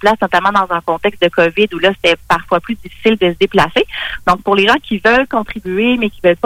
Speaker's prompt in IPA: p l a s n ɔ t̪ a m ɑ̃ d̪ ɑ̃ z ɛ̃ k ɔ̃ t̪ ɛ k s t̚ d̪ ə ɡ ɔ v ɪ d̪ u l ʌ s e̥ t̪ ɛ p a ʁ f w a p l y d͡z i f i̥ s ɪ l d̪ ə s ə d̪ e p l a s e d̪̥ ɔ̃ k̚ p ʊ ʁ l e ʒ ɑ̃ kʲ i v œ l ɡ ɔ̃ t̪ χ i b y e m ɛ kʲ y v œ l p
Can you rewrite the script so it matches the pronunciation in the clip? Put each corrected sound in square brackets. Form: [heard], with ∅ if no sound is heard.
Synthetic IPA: p l a s n ɔ t̪ a m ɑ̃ d̪ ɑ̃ z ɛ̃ k ɔ̃ t̪ ɛ k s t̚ d̪ ə [k] ɔ v ɪ d̪ u l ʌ s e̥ t̪ ɛ p a ʁ f w a p l y d͡z i f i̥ s ɪ l d̪ ə s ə d̪ e p l a s e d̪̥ ɔ̃ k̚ p ʊ ʁ l e ʒ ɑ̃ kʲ i v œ l [k] ɔ̃ t̪ χ i b y e m ɛ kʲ [i] v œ l p